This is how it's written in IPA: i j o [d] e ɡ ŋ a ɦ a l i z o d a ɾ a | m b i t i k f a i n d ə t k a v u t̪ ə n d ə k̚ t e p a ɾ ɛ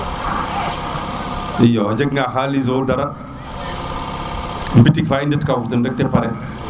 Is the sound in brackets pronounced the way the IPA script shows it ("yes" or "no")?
no